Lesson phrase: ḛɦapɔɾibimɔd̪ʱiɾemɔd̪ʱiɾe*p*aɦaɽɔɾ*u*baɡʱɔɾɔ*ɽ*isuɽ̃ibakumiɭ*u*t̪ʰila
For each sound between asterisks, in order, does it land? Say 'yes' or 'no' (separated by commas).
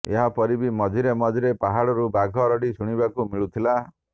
yes, yes, yes, yes